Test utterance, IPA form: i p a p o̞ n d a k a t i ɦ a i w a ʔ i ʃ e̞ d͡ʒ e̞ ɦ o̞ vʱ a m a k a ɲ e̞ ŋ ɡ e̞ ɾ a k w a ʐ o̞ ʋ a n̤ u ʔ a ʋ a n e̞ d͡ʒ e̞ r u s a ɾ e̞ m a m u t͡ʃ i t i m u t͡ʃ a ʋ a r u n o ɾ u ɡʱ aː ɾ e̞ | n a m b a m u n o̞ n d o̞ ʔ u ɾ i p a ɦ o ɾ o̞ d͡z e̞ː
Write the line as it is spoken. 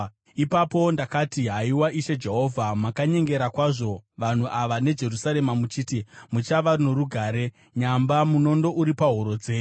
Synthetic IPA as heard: i p a p o̞ n d a k a t i ɦ a i w a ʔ i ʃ e̞ d͡ʒ e̞ ɦ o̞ vʱ a m a k a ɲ e̞ ŋ ɡ e̞ ɾ a k w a ʐ o̞ ʋ a n̤ u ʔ a ʋ a n e̞ d͡ʒ e̞ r u s a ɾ e̞ m a m u t͡ʃ i t i m u t͡ʃ a ʋ a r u n o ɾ u ɡʱ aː ɾ e̞ | ɲ a m b a m u n o̞ n d o̞ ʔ u ɾ i p a ɦ o ɾ o̞ d͡z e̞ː